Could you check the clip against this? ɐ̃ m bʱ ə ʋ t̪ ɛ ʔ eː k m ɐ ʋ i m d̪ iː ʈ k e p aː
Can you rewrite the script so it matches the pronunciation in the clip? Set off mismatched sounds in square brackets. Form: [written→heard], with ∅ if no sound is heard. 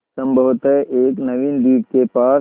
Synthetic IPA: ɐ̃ m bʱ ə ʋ t̪ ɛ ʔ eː k [m→n] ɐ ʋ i [m→n] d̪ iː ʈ k e p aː